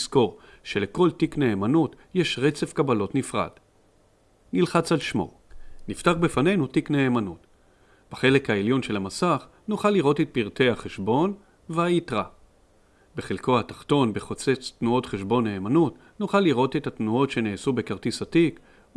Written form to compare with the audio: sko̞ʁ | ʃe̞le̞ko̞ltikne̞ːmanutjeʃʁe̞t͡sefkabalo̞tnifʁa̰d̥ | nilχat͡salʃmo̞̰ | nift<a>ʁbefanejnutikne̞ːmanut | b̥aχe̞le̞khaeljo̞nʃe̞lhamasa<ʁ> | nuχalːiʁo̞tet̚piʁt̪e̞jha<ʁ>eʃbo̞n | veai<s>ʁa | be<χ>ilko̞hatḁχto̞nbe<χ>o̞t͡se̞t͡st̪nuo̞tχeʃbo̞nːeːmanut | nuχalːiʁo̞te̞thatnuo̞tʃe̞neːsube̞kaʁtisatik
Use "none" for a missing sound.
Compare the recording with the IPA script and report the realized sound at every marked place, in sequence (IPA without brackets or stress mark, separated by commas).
a, χ, χ, t, χ, χ